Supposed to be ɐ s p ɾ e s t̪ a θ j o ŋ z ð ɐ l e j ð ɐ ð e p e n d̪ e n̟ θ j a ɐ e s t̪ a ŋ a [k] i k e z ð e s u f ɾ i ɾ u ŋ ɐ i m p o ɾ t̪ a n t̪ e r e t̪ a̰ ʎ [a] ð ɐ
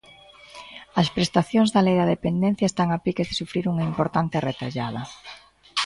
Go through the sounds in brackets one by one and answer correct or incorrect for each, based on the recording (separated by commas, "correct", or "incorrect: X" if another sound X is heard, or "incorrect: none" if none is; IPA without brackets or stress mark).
incorrect: p, correct